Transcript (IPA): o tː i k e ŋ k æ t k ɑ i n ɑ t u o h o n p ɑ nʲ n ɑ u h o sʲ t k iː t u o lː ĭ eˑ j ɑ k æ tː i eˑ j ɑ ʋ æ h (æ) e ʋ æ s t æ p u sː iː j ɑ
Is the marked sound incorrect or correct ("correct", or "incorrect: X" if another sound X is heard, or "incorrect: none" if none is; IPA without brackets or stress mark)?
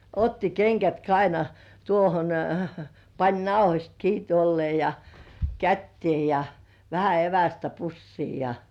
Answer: correct